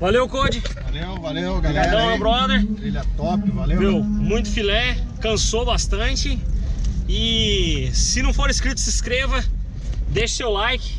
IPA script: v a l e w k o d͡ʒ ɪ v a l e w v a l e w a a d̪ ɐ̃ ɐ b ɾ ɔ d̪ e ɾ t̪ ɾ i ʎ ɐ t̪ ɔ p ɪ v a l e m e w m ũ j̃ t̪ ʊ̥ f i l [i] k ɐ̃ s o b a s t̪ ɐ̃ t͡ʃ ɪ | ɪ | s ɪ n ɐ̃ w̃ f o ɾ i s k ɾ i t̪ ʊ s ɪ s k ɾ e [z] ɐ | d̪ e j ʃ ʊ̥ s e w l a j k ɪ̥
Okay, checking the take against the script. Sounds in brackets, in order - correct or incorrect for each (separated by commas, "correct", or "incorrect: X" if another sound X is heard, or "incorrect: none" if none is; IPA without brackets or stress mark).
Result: incorrect: ɛ, incorrect: v